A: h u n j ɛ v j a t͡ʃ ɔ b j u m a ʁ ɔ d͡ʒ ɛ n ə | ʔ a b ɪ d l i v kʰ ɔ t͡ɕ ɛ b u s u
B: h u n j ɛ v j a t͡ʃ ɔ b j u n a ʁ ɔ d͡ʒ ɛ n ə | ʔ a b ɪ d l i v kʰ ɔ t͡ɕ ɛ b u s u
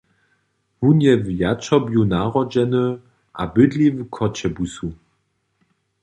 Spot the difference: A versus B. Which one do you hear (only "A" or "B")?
B